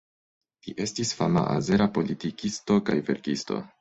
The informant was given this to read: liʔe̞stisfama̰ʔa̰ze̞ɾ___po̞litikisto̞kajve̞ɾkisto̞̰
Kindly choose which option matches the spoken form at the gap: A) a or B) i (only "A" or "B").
A